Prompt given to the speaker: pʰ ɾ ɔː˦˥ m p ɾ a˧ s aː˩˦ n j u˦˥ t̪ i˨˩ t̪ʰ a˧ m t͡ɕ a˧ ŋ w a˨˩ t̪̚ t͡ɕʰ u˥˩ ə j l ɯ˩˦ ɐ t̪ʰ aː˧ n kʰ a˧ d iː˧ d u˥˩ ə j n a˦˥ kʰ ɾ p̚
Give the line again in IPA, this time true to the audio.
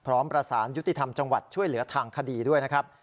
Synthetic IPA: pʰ ɾ ɔː˦˥ m p ɾ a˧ s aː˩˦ n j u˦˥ t̪ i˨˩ t̪ʰ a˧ m t͡ɕ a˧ ŋ w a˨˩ t̪̚ t͡ɕʰ u˥˩ ə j l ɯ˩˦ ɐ t̪ʰ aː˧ ŋ kʰ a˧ d iː˧ d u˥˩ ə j n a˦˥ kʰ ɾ p̚